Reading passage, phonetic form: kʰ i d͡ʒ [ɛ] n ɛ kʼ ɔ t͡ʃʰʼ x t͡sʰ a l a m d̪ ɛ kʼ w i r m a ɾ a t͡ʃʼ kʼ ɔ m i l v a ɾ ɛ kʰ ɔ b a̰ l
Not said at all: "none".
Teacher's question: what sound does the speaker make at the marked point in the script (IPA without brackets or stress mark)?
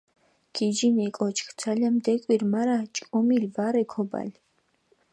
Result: i